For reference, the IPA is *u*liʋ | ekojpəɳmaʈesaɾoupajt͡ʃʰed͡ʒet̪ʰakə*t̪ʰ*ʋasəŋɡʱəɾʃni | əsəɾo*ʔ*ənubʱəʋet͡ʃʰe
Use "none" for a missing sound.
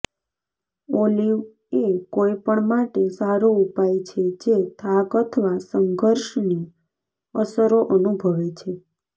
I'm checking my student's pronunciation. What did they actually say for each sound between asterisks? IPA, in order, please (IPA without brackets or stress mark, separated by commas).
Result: o, t̪ʰ, ʔ